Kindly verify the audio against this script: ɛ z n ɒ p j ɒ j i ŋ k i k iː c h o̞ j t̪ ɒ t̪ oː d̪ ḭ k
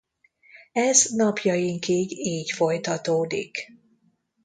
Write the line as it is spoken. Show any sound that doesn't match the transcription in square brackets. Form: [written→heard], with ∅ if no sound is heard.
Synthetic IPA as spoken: ɛ z n ɒ p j ɒ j i ŋ k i [k→ɡ] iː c [h→f] o̞ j t̪ ɒ t̪ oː d̪ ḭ k